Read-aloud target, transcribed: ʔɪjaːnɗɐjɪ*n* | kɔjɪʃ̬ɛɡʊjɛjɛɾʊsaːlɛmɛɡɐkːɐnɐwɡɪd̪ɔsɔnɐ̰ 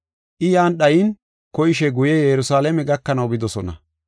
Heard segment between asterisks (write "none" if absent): n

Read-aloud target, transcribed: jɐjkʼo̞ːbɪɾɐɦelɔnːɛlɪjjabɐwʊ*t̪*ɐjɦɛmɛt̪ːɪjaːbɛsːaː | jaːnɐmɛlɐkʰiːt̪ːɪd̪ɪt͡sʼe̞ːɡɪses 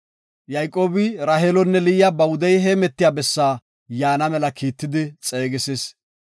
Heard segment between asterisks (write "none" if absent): d̪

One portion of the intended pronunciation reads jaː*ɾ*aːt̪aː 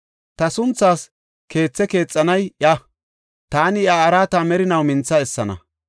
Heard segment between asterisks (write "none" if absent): ɾ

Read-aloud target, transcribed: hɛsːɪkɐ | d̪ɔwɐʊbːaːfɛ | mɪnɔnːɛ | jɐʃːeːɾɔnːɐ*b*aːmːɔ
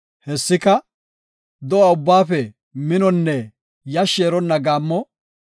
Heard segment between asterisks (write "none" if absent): ɡ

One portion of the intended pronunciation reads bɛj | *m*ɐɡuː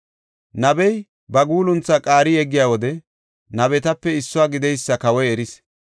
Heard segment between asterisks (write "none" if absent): b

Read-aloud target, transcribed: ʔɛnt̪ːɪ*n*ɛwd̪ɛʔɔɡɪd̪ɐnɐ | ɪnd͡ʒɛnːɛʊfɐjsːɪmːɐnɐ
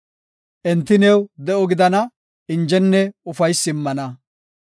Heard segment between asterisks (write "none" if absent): n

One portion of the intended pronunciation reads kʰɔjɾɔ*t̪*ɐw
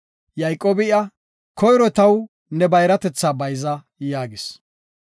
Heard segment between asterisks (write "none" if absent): t̪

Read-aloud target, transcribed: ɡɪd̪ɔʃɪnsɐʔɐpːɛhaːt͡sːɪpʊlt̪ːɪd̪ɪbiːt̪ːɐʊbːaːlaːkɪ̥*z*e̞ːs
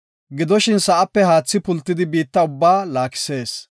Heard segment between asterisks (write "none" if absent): s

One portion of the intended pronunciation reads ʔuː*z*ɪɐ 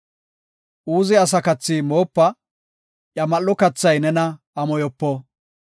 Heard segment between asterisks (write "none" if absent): z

